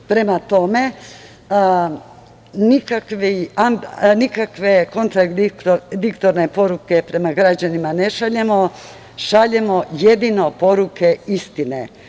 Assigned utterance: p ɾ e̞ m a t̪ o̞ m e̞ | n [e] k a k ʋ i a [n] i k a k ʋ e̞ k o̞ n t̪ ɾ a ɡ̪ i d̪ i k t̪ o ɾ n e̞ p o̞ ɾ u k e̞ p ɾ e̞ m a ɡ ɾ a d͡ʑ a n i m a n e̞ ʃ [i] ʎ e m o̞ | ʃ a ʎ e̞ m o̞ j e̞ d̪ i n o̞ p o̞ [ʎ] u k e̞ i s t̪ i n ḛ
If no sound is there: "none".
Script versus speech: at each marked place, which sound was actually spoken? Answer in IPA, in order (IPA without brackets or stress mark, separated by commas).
i, n, a, ɾ